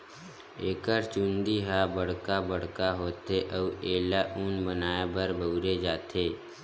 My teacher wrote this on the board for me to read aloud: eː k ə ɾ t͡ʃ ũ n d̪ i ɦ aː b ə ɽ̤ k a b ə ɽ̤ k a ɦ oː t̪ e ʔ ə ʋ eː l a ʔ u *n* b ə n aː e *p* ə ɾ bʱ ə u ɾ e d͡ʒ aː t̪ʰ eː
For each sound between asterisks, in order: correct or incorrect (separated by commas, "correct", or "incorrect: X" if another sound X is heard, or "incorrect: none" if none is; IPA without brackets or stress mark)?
correct, incorrect: b